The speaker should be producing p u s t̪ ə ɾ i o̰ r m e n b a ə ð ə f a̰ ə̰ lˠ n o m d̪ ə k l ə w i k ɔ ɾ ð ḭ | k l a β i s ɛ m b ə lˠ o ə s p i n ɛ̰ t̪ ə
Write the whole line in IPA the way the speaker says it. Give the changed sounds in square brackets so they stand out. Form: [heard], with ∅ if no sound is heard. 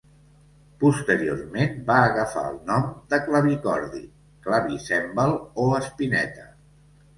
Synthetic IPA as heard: p u s t̪ ə ɾ i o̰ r m e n b a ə [ɣ] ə f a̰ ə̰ lˠ n [ɔ] m d̪ ə k l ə [β] i k ɔ ɾ ð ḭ | k l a β i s ɛ m b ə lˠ o ə s p i n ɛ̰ t̪ ə